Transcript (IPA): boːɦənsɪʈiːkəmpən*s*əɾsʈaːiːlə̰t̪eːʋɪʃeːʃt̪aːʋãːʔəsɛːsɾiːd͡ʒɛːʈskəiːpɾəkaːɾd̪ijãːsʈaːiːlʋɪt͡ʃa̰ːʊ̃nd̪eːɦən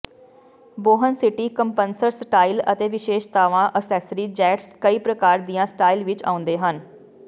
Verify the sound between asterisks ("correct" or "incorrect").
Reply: correct